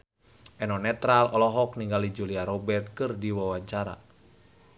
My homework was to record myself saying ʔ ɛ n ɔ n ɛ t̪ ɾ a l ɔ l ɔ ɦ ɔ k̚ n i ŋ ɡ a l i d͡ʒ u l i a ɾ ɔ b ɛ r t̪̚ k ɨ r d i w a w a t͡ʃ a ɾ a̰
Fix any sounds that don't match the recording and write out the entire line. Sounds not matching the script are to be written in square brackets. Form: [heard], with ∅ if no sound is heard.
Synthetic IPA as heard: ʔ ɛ n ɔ n ɛ t̪ ɾ a l ɔ l ɔ ɦ ɔ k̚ n i ŋ ɡ a l i d͡ʒ u l i a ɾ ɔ b ɛ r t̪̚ k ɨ r d i w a w a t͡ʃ a ɾ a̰